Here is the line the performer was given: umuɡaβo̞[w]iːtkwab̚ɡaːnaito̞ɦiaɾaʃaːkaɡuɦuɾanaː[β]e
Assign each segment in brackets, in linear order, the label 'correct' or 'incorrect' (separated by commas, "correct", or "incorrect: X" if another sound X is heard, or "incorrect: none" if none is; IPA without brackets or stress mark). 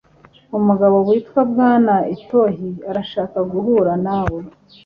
correct, incorrect: w